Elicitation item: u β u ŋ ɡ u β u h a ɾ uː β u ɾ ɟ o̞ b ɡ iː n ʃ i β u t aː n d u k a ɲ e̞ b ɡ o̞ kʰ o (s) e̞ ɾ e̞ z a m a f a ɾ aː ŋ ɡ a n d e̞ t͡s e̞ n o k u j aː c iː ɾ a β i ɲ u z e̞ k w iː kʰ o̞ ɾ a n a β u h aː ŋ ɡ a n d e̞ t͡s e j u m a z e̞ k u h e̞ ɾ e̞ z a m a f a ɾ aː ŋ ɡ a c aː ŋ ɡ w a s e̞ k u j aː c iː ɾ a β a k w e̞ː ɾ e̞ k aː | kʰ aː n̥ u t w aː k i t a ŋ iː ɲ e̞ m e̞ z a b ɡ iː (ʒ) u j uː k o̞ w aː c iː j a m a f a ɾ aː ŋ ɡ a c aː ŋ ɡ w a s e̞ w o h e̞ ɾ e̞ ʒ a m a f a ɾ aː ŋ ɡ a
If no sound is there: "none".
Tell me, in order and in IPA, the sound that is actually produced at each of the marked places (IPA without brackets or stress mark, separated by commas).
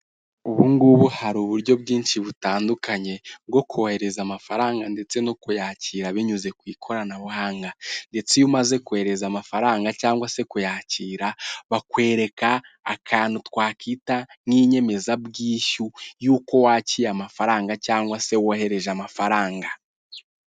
h, ʃ